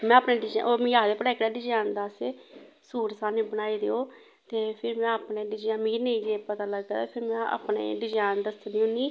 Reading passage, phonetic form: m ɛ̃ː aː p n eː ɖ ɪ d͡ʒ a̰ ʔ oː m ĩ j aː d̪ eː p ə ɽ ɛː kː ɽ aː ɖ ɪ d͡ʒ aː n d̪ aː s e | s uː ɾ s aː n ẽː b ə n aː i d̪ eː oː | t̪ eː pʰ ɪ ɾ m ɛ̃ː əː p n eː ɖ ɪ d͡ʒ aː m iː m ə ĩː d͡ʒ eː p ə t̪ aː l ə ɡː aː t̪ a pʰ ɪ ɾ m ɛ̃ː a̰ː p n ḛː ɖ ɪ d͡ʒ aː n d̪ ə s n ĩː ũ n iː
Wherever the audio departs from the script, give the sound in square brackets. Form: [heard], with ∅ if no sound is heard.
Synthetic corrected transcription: m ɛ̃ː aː p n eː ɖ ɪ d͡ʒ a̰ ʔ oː m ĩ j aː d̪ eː p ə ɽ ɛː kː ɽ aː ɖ ɪ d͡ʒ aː n d̪ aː s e | s uː ɾ s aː n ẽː b ə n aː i d̪ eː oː | t̪ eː pʰ ɪ ɾ m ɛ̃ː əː p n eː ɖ ɪ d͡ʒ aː m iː [n] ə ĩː d͡ʒ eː p ə t̪ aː l ə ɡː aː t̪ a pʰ ɪ ɾ m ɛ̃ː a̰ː p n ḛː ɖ ɪ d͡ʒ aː n d̪ ə s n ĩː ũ n iː